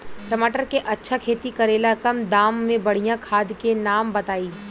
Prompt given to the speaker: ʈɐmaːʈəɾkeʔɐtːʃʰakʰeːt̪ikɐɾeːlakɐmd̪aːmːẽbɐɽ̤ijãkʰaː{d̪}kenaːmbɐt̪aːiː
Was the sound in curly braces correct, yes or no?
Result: yes